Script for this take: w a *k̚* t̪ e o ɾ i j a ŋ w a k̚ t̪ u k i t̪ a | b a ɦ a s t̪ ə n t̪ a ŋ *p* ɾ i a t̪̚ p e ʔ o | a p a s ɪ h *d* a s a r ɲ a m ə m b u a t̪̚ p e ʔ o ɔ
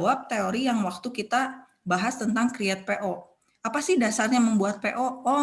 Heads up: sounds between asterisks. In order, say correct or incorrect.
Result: incorrect: p̚, incorrect: k, correct

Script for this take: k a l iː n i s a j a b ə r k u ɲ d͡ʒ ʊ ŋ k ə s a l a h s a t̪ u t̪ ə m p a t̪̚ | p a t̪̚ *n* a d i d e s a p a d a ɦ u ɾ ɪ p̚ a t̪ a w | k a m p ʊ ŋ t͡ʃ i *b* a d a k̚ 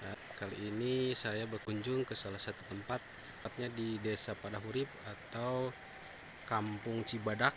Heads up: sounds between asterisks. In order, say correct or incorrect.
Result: incorrect: ɲ, correct

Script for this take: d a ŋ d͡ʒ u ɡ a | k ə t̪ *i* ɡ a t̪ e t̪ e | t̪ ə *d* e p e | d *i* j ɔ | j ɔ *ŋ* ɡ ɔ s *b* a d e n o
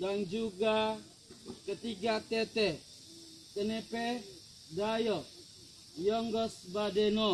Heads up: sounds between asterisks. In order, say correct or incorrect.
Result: correct, incorrect: n, incorrect: a, correct, correct

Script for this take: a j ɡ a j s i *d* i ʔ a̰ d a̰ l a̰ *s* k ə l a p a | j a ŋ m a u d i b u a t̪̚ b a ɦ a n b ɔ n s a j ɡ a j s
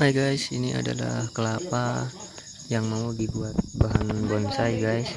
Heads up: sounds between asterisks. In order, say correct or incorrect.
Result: incorrect: n, incorrect: h

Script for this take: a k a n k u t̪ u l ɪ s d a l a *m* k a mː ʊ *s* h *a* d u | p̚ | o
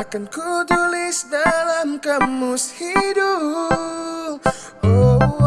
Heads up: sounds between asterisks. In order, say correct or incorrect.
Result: correct, correct, incorrect: i

